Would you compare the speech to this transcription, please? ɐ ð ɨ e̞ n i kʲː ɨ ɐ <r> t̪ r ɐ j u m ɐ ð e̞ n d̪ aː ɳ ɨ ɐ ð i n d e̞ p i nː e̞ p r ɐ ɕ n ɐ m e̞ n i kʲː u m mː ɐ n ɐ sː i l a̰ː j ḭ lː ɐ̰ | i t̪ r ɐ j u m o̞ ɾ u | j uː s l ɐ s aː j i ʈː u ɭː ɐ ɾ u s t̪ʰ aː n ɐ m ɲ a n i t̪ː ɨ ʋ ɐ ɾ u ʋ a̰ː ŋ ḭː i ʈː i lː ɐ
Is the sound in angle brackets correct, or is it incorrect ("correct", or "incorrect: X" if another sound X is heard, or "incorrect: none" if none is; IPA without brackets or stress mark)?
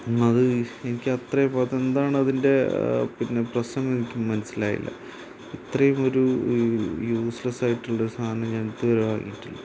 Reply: incorrect: none